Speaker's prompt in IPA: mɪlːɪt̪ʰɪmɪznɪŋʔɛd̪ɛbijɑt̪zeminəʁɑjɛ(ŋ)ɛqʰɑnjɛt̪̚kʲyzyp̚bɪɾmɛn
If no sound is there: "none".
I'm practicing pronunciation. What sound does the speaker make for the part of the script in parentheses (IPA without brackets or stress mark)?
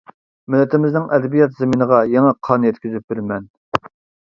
ŋ